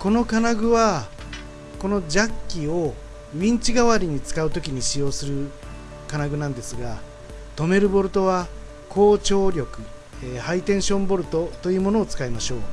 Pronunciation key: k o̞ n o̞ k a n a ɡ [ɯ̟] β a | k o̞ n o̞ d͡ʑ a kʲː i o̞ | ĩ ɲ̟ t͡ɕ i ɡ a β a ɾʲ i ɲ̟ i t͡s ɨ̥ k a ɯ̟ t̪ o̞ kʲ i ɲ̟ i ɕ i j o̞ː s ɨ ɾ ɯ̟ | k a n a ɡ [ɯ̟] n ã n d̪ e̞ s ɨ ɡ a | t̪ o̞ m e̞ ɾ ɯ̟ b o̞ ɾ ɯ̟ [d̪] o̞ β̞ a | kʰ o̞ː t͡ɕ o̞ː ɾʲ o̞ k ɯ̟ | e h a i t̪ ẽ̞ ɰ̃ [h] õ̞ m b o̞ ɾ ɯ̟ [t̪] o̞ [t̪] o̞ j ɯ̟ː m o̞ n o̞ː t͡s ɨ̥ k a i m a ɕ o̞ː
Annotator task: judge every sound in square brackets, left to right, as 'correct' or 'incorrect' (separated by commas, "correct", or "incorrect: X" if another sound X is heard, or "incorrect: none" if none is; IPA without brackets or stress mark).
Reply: correct, correct, incorrect: t̪, incorrect: ɕ, correct, correct